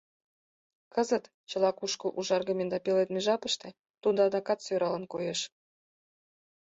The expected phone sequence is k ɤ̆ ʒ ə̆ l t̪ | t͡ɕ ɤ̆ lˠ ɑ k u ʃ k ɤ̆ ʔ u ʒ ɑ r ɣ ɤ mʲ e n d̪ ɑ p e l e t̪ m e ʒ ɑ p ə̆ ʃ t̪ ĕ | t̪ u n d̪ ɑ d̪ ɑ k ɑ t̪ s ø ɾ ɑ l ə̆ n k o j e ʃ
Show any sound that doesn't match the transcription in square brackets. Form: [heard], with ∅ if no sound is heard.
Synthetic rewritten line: k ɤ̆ [z] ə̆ [∅] t̪ | t͡ɕ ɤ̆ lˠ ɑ k u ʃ k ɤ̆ ʔ u ʒ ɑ r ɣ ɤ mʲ e n d̪ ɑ p e l e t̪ m e ʒ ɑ p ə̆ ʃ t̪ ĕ | t̪ u n d̪ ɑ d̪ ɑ k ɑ t̪ s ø ɾ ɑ l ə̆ n k o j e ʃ

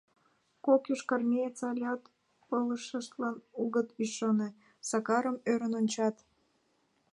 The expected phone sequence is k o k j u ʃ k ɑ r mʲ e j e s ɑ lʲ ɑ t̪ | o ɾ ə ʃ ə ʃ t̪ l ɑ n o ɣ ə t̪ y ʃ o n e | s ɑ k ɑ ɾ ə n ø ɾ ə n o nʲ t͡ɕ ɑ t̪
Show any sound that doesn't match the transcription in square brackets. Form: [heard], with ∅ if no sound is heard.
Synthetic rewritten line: k o k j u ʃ k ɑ r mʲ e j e [t͡s] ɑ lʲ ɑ t̪ | o [l] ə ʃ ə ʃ t̪ l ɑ n [u] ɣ ə t̪ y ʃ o n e | s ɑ k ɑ ɾ ə [m] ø ɾ ə n o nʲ t͡ɕ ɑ t̪

